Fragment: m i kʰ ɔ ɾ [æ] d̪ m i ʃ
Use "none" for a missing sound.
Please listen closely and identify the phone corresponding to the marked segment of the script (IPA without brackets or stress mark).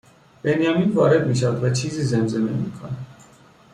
ɛ